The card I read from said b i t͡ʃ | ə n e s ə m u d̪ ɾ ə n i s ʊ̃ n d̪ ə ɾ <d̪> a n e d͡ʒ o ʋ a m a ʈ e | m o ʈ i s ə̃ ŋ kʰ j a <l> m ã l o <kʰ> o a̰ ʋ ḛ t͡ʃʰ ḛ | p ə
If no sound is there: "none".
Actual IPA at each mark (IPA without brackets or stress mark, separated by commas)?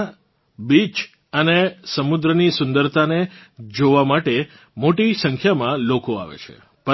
t̪, none, k